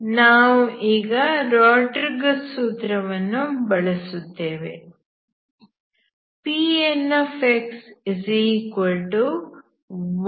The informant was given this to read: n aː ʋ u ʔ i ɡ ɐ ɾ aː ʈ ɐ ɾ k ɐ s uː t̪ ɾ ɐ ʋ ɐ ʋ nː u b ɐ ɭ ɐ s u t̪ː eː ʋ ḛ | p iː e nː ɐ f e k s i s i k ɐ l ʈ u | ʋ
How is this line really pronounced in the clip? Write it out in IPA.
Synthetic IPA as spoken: n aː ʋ u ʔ iː ɡ ɐ ɾ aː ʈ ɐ ɾ ɡ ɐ s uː t̪ ɾ ɐ ʋ ɐ nː u b ɐ ɭ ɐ s u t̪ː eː ʋ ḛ | p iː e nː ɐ f e k s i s i k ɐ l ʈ u | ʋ